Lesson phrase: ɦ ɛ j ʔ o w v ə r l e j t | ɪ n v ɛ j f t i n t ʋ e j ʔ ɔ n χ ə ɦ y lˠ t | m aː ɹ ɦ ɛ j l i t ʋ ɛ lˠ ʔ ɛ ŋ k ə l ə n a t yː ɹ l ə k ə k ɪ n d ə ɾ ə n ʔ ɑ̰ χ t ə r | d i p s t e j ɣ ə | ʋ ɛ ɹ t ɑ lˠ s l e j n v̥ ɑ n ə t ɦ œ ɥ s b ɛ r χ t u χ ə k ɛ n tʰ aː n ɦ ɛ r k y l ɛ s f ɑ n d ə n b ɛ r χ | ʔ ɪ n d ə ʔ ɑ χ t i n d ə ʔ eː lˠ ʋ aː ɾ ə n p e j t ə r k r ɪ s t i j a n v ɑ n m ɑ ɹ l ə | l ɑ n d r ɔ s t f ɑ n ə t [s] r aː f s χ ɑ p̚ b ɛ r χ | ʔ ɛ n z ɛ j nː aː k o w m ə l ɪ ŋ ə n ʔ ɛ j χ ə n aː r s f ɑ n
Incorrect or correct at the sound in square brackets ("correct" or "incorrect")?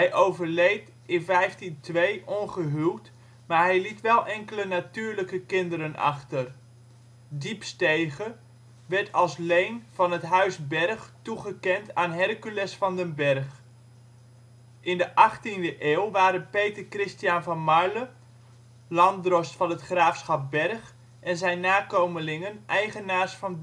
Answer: incorrect